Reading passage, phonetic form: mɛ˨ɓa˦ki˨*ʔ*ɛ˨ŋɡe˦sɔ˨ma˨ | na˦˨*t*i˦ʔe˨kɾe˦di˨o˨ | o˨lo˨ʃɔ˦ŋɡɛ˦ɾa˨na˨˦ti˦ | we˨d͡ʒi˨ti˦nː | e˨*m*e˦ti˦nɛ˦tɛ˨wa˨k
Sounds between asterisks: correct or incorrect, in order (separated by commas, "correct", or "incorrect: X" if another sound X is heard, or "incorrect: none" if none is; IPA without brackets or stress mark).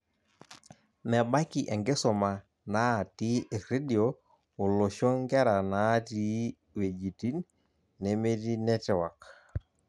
correct, correct, correct